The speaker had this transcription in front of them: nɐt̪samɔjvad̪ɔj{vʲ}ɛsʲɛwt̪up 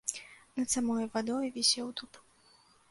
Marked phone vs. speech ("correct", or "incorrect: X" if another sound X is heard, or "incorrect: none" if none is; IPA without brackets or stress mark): correct